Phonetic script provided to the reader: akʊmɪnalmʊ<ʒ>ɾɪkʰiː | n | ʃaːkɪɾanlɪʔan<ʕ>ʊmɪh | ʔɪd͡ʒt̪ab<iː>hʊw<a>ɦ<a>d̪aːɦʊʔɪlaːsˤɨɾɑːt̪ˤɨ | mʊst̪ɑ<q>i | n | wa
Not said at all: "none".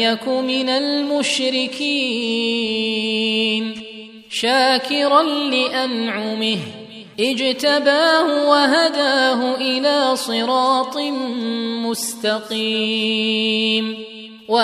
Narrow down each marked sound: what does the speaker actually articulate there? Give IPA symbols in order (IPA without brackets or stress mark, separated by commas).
ʃ, ʕ, aː, a, a, q